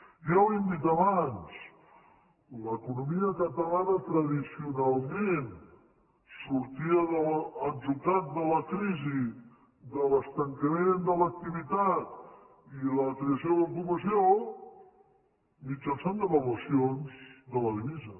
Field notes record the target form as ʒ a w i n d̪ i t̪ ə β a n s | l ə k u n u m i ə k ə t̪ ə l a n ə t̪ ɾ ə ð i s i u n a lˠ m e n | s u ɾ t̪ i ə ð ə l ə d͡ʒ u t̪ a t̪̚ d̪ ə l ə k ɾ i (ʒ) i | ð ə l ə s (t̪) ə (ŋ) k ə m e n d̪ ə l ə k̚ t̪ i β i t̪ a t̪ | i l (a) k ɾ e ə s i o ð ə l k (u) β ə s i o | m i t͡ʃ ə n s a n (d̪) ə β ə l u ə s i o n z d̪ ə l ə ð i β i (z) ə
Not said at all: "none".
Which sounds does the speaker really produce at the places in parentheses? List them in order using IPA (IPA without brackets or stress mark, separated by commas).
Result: z, t̪, ŋ, ə, u, d̪, z